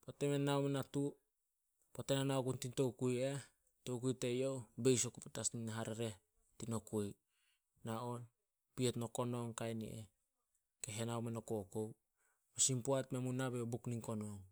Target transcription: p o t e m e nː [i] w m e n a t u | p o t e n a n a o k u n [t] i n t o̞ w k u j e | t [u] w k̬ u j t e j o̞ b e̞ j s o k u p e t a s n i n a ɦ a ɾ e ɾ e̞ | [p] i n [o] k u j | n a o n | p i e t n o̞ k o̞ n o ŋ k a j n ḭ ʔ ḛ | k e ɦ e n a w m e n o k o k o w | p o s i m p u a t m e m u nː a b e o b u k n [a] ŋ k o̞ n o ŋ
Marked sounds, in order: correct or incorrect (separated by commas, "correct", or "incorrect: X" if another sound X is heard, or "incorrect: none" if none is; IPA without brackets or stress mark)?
incorrect: a, correct, incorrect: o, incorrect: t, correct, incorrect: i